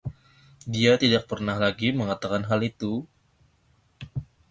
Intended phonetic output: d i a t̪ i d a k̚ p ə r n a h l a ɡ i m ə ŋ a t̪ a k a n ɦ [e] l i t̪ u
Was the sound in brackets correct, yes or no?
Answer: no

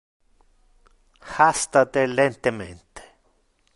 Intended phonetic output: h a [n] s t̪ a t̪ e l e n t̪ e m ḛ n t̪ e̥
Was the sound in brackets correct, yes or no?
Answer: no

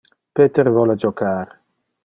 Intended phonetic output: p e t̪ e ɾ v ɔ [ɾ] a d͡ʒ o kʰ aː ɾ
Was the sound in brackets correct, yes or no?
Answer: no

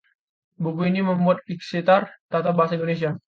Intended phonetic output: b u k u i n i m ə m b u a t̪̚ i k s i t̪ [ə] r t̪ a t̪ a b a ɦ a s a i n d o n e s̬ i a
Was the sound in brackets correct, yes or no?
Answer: no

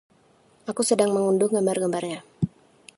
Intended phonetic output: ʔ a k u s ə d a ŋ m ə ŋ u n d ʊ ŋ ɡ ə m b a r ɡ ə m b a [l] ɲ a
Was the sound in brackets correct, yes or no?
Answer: no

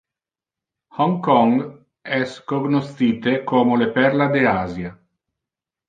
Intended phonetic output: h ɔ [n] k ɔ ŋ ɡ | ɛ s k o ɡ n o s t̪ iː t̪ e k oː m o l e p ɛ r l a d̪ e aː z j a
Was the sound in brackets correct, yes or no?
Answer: no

